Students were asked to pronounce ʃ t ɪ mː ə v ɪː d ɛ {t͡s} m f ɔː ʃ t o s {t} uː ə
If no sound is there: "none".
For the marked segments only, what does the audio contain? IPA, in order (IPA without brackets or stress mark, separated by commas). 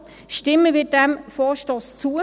none, t͡s